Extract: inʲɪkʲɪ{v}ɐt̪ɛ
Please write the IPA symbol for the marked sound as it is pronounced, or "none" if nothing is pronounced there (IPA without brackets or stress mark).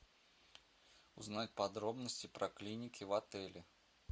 v